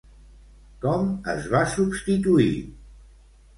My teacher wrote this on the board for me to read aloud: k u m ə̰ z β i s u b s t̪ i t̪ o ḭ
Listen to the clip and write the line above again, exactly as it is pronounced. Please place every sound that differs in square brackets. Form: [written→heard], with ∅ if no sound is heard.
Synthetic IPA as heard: k [u→ɔ] m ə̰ z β [i→a] s u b s t̪ i t̪ [o→u] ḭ